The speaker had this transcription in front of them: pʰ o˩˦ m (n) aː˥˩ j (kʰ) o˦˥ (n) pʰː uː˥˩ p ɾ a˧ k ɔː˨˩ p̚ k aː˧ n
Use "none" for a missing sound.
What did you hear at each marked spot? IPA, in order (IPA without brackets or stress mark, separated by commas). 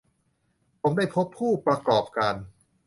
d, pʰ, none